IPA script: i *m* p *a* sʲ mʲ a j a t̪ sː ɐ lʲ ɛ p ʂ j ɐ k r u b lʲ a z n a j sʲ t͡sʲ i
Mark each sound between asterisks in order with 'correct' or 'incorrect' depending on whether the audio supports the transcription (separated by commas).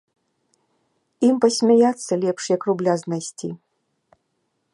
correct, incorrect